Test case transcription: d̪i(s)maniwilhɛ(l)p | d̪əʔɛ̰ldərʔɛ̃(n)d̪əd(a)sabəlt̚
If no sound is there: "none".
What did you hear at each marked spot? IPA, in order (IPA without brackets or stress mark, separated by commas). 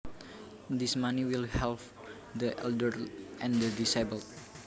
s, l, n, i